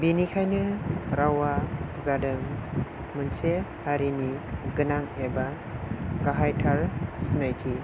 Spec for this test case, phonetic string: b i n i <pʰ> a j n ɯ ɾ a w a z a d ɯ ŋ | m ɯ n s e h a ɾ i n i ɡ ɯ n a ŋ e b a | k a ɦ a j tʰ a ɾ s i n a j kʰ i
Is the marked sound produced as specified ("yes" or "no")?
no